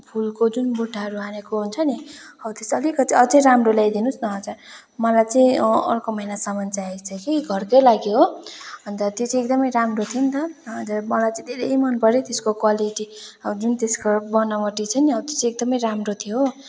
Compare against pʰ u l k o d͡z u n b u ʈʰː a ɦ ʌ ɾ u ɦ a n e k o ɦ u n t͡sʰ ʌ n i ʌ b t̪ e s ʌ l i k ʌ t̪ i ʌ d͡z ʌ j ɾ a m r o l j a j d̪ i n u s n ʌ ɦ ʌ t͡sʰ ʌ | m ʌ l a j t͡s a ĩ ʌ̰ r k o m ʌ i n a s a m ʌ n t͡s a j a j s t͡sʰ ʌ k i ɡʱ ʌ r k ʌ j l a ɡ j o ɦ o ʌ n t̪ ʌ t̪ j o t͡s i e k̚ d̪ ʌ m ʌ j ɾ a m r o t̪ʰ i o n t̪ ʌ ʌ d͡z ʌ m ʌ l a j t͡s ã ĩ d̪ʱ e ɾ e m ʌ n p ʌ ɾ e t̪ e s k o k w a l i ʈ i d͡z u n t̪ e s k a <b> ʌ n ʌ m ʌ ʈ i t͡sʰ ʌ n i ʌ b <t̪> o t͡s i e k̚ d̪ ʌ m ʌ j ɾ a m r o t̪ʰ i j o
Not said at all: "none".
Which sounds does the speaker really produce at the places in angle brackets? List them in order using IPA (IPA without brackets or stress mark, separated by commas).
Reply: b, t̪